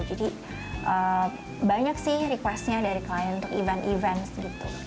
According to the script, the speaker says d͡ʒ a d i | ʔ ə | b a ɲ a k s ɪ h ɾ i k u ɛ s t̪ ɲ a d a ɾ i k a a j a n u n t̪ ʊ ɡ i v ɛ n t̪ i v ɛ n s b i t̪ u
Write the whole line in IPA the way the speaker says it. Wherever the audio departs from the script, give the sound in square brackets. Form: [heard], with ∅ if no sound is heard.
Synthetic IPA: d͡ʒ a d i | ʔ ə | b a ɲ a k s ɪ h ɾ i k [w] ɛ s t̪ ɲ a d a ɾ i k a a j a n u n t̪ ʊ [k] i v ɛ n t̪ i v ɛ n s [ɡ] i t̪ u